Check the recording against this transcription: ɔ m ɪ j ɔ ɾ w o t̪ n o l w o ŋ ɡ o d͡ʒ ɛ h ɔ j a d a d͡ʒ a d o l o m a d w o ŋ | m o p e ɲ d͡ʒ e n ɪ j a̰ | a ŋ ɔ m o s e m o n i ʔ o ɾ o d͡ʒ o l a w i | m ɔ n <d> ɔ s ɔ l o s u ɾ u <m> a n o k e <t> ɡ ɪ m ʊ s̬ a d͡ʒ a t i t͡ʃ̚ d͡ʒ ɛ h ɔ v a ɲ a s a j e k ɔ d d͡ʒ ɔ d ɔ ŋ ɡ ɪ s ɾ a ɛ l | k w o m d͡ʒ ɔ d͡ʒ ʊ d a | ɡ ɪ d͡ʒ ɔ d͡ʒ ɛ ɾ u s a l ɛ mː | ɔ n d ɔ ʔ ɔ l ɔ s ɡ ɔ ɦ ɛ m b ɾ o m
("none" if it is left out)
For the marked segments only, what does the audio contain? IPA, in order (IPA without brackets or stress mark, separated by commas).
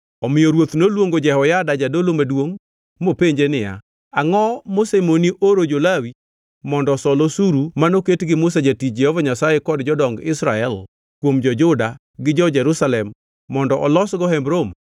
d, m, t